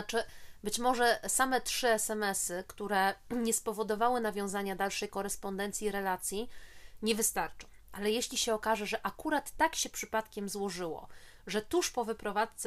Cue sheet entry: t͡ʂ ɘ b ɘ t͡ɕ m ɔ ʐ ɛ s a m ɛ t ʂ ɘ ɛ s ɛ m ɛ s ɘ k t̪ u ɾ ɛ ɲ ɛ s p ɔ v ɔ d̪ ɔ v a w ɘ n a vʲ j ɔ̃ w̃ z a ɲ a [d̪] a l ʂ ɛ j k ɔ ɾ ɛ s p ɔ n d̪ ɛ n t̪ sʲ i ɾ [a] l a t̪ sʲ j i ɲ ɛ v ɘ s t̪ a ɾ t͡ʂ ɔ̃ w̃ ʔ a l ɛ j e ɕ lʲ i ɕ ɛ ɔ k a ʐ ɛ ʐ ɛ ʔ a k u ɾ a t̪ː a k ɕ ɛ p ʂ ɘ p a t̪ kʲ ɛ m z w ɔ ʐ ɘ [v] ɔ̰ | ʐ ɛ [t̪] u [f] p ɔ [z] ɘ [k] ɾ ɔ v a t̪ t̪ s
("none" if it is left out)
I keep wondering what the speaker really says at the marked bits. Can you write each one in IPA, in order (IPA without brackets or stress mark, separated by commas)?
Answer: d̪, ɛ, w, t̪, ʂ, v, p